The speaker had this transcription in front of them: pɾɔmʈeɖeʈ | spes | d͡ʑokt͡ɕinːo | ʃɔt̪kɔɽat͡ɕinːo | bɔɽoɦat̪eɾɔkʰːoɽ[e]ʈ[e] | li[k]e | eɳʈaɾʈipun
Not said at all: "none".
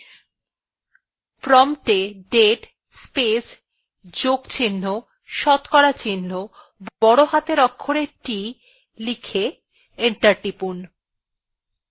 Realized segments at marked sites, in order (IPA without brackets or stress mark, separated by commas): e, i, kʰ